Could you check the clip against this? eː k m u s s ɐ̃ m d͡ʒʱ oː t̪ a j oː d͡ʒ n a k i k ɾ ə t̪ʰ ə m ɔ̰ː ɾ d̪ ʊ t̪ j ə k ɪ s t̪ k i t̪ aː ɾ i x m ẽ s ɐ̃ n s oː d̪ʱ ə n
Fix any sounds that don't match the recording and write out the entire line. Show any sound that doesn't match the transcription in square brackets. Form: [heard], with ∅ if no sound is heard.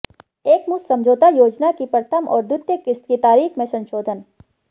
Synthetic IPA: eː k m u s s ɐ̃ m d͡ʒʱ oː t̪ a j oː d͡ʒ n a k i [p] ɾ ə t̪ʰ ə m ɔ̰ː ɾ d̪ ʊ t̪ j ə k ɪ s t̪ k i t̪ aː ɾ [iː] x m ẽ s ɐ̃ n [ʃ] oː d̪ʱ ə n